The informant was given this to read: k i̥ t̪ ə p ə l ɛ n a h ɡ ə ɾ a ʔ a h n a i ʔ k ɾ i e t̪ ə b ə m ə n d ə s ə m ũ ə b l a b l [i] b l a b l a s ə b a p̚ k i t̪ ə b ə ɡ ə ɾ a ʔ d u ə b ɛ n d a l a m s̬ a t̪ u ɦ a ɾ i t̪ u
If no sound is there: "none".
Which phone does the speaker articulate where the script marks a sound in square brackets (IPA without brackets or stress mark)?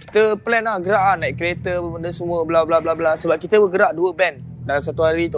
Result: a